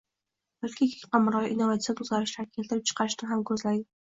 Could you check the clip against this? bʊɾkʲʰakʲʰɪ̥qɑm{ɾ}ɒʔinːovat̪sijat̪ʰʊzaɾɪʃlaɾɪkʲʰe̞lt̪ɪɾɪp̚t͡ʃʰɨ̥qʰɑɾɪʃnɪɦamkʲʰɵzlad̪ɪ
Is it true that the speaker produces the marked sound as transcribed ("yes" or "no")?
yes